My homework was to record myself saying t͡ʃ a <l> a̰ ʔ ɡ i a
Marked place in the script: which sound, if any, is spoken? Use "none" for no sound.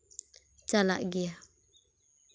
l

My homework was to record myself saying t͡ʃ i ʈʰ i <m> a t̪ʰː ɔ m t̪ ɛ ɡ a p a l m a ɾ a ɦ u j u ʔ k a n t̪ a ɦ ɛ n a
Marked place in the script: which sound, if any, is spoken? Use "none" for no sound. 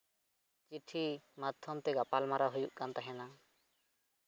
m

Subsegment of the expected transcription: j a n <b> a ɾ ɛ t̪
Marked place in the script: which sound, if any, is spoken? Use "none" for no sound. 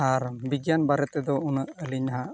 b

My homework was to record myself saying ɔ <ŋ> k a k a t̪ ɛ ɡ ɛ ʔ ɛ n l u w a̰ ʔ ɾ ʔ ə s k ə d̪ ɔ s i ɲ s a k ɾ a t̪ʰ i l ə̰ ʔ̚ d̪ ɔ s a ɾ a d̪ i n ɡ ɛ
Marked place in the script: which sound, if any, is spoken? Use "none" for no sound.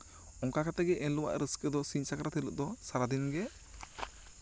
ŋ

